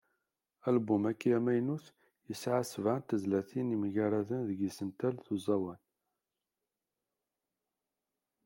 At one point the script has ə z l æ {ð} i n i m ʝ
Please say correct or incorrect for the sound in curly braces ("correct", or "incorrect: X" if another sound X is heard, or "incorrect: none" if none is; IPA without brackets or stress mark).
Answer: incorrect: θ